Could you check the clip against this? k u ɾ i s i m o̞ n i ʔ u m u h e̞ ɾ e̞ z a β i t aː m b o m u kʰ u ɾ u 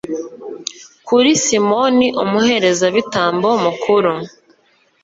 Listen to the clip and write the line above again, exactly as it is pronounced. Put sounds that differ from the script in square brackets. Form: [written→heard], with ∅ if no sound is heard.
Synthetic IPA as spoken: k u ɾ i s i m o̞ n i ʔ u m u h e̞ ɾ e̞ z a β i t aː m b o m u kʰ u ɾ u